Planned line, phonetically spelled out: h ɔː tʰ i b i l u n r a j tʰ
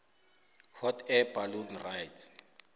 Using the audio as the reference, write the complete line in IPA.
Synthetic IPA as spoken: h ɔ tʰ ɛ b a l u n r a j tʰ